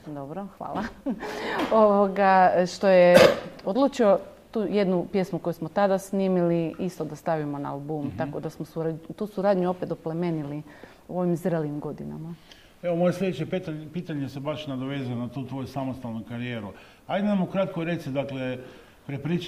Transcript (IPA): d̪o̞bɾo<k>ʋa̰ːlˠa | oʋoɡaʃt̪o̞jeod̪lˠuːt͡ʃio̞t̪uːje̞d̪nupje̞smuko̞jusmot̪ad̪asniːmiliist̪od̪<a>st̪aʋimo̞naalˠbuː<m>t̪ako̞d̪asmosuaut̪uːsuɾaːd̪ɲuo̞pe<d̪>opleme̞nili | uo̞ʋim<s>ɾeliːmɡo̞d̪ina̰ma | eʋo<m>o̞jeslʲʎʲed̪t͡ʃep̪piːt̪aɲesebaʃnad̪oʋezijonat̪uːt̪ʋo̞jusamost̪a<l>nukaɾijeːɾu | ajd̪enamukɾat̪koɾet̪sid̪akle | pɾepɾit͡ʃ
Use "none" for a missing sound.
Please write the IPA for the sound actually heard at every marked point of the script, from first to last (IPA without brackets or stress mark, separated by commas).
x, a, m, t̪, z, m, l